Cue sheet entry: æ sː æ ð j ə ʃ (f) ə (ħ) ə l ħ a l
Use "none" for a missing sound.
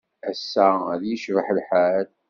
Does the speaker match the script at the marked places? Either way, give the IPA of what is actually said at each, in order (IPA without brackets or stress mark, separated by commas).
v, ħ